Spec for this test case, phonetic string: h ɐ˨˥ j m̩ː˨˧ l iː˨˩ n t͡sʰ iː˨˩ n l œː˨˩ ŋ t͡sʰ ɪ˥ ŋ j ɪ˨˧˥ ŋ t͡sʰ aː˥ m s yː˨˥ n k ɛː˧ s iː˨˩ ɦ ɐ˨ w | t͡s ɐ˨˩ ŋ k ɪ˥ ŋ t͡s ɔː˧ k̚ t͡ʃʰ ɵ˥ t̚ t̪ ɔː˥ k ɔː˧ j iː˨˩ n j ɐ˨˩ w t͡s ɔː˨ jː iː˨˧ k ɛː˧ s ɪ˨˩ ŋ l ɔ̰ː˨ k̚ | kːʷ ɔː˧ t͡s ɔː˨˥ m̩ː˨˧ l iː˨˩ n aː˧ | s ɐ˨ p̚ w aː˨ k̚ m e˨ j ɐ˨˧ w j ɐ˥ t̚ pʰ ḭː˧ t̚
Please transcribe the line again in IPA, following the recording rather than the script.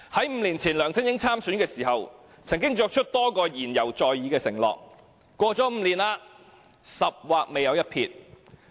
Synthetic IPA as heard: h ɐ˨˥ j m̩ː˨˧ l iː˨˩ n t͡sʰ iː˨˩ n l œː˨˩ ŋ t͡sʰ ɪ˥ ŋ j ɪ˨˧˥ ŋ t͡sʰ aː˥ m s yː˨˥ n k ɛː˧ s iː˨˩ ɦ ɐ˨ w | t͡sʰ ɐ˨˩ ŋ k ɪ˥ ŋ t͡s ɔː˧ k̚ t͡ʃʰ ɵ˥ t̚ t̪ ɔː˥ k ɔː˧ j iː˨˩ n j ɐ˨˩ w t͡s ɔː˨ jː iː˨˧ k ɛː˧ s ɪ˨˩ ŋ l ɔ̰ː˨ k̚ | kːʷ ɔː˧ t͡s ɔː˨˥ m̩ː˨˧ l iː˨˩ n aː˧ | s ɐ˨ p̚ w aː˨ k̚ m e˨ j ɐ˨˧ w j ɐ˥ t̚ pʰ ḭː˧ t̚